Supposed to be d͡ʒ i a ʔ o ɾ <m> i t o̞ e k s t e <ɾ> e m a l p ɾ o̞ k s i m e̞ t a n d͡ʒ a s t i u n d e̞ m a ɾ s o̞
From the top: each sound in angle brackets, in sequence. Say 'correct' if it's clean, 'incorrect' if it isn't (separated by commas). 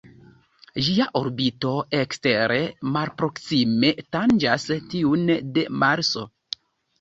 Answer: incorrect, correct